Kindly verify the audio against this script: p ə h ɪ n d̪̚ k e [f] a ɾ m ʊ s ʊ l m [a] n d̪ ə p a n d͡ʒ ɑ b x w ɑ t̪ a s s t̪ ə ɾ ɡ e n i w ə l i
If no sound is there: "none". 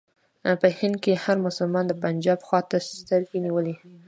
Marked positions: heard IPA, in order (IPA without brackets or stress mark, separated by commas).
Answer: h, ɑ